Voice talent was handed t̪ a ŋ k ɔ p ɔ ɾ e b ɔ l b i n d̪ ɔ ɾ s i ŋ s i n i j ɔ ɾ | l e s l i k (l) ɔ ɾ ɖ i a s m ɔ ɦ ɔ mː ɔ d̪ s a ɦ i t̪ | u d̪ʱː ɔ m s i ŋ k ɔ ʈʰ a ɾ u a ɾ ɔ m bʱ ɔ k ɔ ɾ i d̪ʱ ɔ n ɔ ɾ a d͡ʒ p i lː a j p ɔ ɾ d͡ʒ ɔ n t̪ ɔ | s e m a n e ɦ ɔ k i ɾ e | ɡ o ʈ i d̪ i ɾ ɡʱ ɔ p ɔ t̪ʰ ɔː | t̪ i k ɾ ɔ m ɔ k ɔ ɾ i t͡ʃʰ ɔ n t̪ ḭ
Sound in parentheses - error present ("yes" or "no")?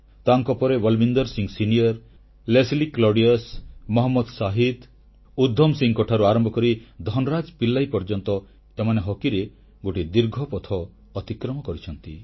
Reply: no